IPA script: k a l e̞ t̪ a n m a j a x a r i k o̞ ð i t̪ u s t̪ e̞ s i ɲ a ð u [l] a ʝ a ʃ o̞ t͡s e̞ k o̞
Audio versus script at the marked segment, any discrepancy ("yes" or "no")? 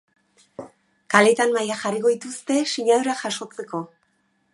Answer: yes